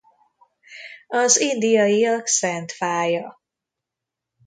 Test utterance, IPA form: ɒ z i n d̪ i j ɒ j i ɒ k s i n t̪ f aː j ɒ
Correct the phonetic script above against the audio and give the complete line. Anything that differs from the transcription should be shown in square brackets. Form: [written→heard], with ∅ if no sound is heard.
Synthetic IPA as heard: ɒ z i n d̪ i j ɒ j i ɒ k s [i→ɛ] n t̪ f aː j ɒ